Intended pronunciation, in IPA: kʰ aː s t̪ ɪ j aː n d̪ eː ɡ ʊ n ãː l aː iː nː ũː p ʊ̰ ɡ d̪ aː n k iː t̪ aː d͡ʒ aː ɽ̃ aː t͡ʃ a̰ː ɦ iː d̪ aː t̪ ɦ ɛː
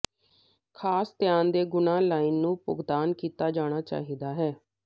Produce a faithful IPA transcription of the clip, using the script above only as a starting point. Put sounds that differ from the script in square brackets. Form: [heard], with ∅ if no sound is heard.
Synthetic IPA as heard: kʰ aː s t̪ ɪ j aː n d̪ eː ɡ ʊ n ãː l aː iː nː ũː p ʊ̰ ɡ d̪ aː n k iː t̪ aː d͡ʒ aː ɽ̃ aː t͡ʃ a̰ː ɦ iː d̪ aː [∅] ɦ ɛː